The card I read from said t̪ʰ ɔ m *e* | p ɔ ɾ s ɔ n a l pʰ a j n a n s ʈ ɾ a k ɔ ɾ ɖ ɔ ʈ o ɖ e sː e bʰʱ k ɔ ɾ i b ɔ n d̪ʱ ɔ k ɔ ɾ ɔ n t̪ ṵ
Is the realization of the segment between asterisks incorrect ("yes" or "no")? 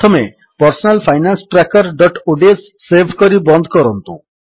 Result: no